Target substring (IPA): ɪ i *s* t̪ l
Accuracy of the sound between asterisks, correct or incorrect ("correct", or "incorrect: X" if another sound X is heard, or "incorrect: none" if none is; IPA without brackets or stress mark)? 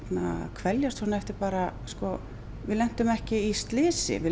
correct